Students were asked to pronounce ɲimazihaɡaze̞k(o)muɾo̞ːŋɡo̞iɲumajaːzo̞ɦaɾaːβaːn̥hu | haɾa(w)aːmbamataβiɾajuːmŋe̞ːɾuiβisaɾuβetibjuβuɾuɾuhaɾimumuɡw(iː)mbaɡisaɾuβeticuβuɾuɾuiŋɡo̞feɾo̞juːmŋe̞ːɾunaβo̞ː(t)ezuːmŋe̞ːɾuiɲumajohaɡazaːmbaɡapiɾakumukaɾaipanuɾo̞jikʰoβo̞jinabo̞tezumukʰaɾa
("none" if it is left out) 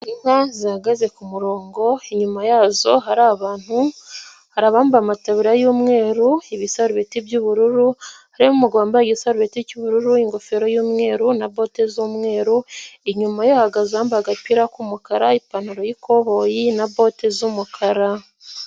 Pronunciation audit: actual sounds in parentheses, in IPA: u, β, aː, t

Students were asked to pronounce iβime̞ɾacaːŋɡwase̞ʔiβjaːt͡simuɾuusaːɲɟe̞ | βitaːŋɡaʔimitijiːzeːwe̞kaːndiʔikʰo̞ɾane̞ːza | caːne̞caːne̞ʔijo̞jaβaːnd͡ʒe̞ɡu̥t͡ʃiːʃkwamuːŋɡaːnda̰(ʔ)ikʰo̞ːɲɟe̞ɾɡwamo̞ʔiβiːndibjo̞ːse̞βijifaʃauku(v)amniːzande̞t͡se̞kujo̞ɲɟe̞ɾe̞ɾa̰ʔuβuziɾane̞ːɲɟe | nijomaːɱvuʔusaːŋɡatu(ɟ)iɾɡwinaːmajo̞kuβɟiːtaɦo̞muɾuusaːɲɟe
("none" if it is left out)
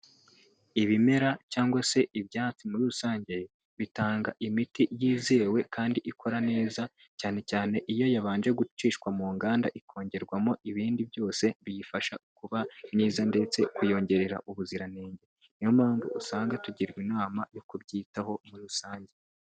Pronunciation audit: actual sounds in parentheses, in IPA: ʔ, β, ɟ

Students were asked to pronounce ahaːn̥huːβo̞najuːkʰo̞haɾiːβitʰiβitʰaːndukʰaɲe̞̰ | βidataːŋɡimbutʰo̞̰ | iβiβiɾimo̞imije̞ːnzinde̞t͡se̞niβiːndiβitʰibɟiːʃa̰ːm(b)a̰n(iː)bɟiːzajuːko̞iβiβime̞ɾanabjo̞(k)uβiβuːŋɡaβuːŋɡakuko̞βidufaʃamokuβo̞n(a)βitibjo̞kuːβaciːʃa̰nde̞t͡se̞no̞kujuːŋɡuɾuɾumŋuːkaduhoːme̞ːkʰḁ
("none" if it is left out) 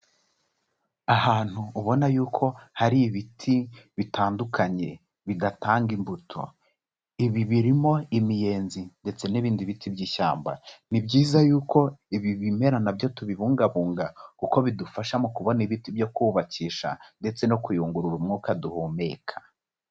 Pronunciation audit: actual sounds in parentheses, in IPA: b, i, t, i

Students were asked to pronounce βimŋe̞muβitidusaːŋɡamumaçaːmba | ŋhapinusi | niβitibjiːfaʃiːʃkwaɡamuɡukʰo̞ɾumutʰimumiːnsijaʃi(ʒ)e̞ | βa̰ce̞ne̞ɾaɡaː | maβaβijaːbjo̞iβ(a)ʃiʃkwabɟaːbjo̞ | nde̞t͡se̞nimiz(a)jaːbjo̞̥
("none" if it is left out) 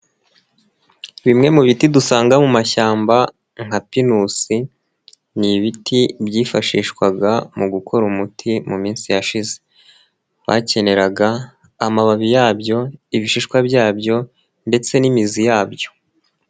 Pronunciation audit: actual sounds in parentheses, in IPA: z, i, i

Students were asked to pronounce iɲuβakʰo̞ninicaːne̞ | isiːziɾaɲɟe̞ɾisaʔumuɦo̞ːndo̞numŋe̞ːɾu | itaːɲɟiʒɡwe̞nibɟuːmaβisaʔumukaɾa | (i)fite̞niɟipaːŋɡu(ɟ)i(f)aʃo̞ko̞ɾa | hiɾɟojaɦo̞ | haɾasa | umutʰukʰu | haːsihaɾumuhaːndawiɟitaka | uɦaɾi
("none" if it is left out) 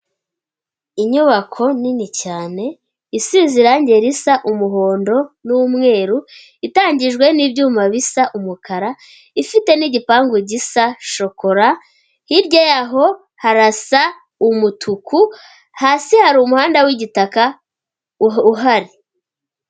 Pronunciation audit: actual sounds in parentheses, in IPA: i, ɟ, s

